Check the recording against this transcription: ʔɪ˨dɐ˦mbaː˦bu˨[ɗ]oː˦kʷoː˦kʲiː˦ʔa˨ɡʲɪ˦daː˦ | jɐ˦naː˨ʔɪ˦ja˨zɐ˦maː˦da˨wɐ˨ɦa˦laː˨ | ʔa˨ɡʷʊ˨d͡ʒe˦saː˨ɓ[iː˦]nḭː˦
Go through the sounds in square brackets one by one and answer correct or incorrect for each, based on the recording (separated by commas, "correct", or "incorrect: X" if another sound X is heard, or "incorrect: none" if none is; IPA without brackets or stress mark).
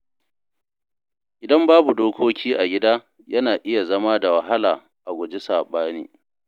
incorrect: d, incorrect: aː˦